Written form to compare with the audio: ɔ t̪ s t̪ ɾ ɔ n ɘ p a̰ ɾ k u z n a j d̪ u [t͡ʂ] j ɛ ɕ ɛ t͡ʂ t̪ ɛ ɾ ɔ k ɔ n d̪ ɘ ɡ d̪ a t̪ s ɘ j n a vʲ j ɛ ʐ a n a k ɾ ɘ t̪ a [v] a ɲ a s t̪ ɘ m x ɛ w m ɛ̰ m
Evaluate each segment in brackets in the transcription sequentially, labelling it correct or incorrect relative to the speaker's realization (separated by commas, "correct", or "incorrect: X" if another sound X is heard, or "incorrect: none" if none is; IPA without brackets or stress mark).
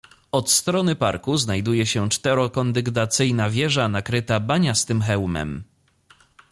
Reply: incorrect: none, incorrect: b